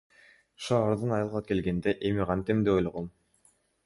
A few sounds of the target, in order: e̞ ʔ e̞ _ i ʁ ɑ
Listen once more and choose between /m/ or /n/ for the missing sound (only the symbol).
m